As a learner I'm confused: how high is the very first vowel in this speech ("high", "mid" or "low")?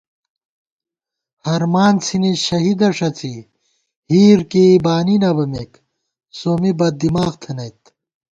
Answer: low